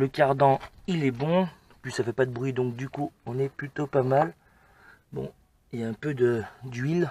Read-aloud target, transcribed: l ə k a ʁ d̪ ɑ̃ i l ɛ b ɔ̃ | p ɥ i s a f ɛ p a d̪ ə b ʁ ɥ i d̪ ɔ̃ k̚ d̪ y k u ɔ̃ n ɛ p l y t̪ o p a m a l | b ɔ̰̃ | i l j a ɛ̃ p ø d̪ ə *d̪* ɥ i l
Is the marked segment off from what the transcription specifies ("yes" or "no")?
no